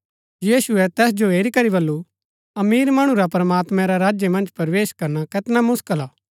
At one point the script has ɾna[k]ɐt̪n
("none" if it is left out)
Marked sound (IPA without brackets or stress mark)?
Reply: k